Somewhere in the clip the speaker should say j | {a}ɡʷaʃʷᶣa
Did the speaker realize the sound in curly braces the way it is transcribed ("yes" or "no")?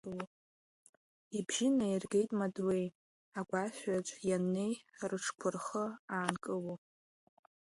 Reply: yes